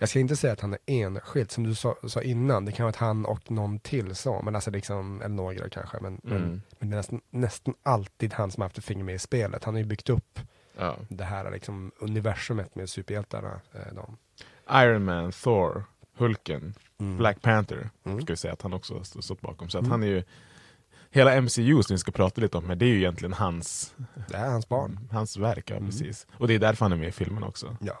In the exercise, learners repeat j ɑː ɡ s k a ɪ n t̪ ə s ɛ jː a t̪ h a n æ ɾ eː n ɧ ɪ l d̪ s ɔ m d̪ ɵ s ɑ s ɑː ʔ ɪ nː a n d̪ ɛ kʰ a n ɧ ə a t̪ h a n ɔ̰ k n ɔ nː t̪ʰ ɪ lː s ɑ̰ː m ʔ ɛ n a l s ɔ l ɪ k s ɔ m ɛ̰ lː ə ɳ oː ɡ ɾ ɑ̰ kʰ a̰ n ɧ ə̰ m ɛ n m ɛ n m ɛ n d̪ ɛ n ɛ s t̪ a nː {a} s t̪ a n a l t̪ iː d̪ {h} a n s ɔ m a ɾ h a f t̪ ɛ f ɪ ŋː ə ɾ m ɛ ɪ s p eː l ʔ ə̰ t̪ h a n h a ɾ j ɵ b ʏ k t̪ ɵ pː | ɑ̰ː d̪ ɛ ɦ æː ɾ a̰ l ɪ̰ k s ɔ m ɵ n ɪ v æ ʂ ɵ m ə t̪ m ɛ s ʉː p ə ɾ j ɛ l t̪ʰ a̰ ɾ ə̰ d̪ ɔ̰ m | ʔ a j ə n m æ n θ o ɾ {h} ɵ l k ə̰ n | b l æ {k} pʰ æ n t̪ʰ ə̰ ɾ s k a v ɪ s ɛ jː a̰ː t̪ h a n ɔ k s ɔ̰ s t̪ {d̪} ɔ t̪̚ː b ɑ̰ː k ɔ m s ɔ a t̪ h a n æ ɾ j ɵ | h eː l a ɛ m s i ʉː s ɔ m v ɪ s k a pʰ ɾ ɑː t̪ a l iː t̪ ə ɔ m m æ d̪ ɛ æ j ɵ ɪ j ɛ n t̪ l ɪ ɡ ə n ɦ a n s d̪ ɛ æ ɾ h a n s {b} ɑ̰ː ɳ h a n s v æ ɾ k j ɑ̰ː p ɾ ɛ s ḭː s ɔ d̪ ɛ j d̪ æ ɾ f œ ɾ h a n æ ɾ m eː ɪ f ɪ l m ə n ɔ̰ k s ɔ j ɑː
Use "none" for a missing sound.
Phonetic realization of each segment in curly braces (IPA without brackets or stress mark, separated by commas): ɛ, h, h, k, t̪, b